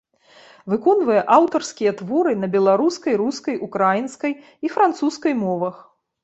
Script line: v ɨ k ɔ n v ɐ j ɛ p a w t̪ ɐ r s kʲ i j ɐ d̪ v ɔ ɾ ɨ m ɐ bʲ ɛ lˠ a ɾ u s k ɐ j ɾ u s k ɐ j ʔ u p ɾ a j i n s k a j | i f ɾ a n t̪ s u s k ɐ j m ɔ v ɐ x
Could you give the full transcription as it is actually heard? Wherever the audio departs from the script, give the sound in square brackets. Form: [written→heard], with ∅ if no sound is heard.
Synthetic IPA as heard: v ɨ k ɔ n v ɐ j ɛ [p→ʔ] a w t̪ ɐ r s kʲ i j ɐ [d̪→t̪] v ɔ ɾ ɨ [m→n] ɐ bʲ ɛ lˠ a ɾ u s k ɐ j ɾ u s k ɐ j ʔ u [p→k] ɾ a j i n s k [a→ɐ] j | i f ɾ a n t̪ s u s k ɐ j m ɔ v ɐ x